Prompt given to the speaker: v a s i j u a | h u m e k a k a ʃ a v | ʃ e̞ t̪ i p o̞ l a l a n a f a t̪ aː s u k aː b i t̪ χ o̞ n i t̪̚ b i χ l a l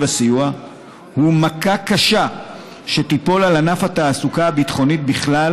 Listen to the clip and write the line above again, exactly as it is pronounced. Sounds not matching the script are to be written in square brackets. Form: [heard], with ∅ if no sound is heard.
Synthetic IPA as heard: v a s i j u a | h u m [a] k a k a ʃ a [∅] | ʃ e̞ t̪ i p o̞ l a l a n a f a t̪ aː s u k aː b i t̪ χ o̞ n i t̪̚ b i χ l a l